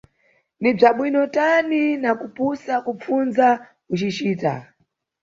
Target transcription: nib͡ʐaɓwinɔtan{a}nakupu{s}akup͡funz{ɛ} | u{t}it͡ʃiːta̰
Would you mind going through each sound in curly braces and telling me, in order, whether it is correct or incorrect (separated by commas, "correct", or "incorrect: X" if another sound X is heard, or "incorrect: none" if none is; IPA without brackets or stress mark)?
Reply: incorrect: i, correct, incorrect: a, incorrect: t͡ʃ